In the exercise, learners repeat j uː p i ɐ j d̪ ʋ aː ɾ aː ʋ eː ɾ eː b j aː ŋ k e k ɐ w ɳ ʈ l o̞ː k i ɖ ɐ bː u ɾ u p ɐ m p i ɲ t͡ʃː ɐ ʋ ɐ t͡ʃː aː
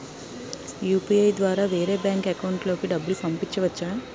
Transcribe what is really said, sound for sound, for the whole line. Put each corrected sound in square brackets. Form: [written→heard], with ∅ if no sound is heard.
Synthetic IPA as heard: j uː p i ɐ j d̪ ʋ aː ɾ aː ʋ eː ɾ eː b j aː ŋ k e k ɐ w ɳ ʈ l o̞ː k i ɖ ɐ bː u [ɾ→l] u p ɐ m p i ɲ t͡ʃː ɐ ʋ ɐ t͡ʃː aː

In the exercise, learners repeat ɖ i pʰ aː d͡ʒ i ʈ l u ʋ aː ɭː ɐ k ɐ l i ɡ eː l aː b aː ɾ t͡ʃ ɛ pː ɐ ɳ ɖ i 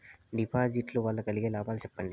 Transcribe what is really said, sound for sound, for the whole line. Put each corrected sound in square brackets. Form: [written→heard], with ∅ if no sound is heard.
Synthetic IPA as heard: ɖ i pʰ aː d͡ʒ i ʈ l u ʋ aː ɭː ɐ k ɐ l i ɡ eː l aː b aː [ɾ→l] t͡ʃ ɛ pː ɐ ɳ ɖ i

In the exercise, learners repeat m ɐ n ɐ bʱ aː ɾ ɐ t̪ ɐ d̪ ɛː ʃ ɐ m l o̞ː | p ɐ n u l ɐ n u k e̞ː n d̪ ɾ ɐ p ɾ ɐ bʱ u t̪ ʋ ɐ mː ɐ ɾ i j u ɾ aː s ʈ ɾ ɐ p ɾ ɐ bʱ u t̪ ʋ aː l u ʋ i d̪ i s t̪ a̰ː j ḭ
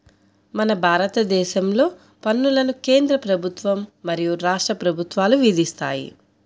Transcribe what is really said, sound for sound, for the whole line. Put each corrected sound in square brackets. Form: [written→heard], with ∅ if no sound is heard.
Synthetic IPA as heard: m ɐ n ɐ bʱ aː ɾ ɐ t̪ ɐ d̪ ɛː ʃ ɐ m l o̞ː | p ɐ [n→nː] u l ɐ n u k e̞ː n d̪ ɾ ɐ p ɾ ɐ bʱ u t̪ ʋ ɐ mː ɐ ɾ i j u ɾ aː [s→ʂ] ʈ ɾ ɐ p ɾ ɐ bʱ u t̪ ʋ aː l u ʋ i d̪ i s t̪ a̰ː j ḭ

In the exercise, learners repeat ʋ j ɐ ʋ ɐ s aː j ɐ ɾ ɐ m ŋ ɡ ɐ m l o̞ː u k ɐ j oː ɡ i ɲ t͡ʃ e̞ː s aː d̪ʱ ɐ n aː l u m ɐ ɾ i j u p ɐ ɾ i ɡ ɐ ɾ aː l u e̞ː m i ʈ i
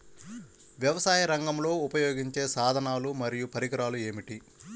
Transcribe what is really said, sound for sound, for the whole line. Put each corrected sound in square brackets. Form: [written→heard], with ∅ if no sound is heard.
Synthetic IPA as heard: ʋ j ɐ ʋ ɐ s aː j ɐ ɾ ɐ [m→∅] ŋ ɡ ɐ m l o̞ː u [k→p] ɐ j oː ɡ i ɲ t͡ʃ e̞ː s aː d̪ʱ ɐ n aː l u m ɐ ɾ i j u p ɐ ɾ i ɡ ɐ ɾ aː l u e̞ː m i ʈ i

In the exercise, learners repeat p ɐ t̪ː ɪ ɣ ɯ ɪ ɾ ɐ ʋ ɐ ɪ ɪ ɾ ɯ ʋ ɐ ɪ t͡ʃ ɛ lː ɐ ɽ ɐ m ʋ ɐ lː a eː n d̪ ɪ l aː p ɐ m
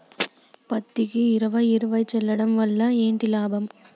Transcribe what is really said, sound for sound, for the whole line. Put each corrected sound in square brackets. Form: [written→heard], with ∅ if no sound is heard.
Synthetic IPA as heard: p ɐ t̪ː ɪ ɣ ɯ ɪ ɾ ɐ ʋ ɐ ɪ ɪ ɾ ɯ ʋ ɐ ɪ t͡ʃ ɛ lː ɐ ɽ ɐ m ʋ ɐ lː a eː n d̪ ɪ l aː [p→b] ɐ m

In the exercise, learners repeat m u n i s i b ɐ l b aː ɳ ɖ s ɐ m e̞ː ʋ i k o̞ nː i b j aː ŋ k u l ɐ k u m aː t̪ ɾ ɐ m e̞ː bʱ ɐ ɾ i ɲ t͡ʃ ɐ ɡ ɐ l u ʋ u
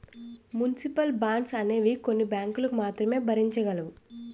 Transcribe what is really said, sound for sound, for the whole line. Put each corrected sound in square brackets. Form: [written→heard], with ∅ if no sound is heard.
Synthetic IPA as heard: m u n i s i [b→p] ɐ l b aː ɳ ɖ s ɐ [m→n] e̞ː ʋ i k o̞ nː i b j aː ŋ k u l ɐ k u m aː t̪ ɾ ɐ m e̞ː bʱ ɐ ɾ i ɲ t͡ʃ ɐ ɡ ɐ l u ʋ u

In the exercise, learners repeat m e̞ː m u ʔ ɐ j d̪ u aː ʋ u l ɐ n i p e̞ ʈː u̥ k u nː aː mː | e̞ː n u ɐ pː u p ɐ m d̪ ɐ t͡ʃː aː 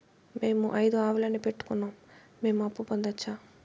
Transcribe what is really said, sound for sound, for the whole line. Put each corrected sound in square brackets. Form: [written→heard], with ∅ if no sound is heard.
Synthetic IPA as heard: m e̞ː m u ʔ ɐ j d̪ u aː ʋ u l ɐ n i p e̞ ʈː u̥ k u nː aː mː | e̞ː [n→m] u ɐ pː u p ɐ [m→n] d̪ ɐ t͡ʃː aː

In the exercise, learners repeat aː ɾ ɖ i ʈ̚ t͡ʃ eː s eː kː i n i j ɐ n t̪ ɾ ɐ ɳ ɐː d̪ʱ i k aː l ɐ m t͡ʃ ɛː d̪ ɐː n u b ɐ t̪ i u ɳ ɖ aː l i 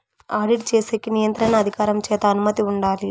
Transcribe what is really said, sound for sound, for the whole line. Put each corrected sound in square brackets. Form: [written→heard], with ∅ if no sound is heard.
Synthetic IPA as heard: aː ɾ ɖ i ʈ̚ t͡ʃ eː s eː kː i n i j ɐ n t̪ ɾ ɐ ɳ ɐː d̪ʱ i k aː [l→ɾ] ɐ m t͡ʃ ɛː [d̪→t̪] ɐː n u [b→m] ɐ t̪ i u ɳ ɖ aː l i

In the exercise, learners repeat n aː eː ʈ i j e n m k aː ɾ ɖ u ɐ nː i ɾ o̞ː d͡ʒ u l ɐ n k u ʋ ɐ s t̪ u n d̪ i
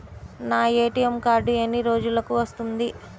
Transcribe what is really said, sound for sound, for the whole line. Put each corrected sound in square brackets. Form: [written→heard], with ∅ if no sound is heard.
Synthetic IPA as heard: n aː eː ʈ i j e [n→∅] m k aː ɾ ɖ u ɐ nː i ɾ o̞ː d͡ʒ u l ɐ [n→∅] k u ʋ ɐ s t̪ u n d̪ i

